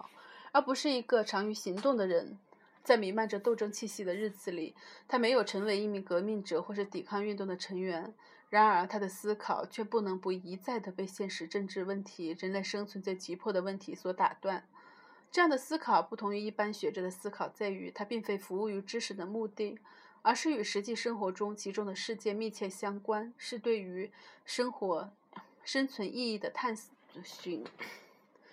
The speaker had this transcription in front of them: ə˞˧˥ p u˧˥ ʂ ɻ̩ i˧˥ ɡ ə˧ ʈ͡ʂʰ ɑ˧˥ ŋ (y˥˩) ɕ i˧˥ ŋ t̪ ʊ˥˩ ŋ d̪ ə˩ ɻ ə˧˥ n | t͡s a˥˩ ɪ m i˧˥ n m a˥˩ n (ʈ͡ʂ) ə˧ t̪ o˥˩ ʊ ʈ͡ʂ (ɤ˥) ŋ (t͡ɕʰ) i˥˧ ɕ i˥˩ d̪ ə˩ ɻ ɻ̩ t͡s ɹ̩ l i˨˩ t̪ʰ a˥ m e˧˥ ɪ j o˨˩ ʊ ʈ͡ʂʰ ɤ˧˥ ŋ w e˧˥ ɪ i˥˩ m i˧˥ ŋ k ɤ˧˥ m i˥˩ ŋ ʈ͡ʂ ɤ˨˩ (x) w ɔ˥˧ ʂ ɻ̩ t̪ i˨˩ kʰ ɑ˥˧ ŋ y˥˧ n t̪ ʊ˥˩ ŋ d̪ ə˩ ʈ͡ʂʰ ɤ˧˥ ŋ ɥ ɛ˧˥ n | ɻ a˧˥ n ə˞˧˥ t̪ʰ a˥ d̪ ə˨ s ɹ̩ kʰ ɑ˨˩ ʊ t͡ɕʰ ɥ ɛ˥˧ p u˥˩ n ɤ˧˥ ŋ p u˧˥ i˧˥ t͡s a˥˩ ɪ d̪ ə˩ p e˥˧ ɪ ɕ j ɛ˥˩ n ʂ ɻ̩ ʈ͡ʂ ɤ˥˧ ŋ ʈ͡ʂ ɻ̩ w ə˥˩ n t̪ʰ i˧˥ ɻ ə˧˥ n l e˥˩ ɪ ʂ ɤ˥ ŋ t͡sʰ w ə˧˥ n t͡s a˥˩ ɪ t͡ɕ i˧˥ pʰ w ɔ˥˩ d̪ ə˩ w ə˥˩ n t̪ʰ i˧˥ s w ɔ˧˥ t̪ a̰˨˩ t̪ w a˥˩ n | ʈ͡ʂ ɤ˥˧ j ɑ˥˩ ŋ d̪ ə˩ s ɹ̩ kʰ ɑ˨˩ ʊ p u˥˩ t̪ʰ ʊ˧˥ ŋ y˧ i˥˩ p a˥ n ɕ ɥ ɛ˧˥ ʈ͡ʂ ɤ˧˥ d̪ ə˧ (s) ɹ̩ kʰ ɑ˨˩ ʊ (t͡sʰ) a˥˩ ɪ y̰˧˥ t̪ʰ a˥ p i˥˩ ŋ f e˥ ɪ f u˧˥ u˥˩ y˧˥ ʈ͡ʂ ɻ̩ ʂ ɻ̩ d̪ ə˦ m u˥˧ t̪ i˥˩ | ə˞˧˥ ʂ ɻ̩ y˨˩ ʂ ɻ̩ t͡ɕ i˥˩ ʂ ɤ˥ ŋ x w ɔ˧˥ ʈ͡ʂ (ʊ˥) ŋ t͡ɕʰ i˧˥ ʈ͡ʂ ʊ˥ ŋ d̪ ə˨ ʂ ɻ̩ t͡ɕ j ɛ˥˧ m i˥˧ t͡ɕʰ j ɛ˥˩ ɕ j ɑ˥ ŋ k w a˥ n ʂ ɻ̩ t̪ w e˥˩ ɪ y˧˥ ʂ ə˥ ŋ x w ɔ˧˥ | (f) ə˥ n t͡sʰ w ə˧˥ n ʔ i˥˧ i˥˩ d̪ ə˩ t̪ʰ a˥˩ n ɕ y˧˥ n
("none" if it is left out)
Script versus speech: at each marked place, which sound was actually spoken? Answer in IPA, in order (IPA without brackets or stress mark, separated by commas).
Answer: y˧˥, ʈ͡ʂ, ɤ˥, t͡ɕʰ, x, s, t͡s, ʊ˥, ʂ